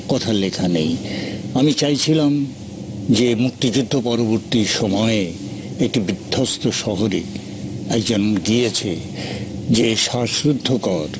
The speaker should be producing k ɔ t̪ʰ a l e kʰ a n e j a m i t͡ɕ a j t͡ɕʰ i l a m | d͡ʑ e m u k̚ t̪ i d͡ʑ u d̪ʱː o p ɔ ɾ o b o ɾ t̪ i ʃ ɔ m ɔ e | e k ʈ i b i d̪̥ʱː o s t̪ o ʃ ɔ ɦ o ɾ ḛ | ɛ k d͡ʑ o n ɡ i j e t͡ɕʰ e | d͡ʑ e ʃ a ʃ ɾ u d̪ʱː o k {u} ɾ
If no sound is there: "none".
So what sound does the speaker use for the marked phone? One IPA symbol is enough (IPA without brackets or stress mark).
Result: ɔ